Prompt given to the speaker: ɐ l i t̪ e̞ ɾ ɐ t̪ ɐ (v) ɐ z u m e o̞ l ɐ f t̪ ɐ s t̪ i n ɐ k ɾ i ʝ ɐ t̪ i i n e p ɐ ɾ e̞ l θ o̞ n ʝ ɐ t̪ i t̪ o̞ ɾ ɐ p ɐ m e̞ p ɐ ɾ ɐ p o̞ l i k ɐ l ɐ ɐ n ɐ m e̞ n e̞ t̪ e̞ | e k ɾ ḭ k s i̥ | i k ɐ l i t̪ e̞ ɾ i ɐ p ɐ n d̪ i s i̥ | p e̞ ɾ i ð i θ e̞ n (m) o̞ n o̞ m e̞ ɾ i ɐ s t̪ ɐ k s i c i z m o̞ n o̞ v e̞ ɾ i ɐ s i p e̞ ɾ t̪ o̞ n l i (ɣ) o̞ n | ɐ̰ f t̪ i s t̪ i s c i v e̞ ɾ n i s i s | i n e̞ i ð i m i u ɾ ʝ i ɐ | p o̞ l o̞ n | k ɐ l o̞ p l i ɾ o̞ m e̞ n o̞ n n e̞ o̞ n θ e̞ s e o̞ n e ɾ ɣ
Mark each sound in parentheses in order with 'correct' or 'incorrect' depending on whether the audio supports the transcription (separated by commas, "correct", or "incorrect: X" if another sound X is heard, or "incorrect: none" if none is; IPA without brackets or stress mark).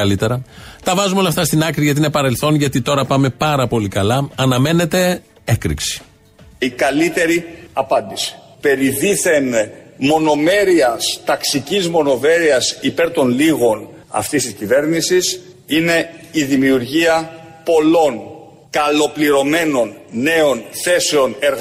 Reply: correct, correct, correct